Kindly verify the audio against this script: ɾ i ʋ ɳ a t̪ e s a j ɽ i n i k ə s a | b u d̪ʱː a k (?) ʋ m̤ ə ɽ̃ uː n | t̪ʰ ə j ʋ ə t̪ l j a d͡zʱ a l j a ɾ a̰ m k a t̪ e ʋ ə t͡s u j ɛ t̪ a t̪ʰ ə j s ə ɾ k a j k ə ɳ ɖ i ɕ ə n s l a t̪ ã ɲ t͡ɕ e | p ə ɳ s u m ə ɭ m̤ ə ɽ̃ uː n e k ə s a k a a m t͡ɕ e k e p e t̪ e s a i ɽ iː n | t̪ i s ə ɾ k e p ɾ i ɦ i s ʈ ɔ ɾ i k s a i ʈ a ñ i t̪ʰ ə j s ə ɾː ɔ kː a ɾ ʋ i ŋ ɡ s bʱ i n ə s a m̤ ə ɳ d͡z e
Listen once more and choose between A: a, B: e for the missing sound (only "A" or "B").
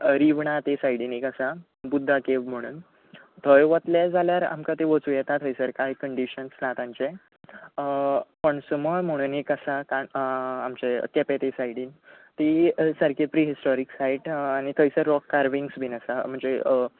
B